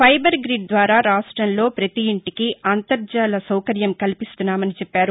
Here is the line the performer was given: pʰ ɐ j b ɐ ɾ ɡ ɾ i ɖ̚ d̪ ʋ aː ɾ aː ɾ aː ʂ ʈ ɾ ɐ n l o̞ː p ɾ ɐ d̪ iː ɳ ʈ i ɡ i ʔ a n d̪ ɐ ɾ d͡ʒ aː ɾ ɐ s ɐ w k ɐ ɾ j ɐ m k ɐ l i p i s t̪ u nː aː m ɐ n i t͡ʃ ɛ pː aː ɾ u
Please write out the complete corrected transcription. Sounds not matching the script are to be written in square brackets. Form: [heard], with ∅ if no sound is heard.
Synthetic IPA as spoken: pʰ ɐ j b ɐ ɾ ɡ ɾ i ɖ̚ d̪ ʋ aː ɾ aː ɾ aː ʂ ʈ ɾ ɐ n l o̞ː p ɾ ɐ [t̪] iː ɳ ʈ i [k] i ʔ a n [t̪] ɐ ɾ d͡ʒ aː [l] ɐ s ɐ w k ɐ ɾ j ɐ m k ɐ l i p i s t̪ u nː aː m ɐ n i t͡ʃ ɛ pː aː ɾ u